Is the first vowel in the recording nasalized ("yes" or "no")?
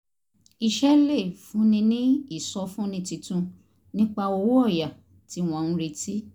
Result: no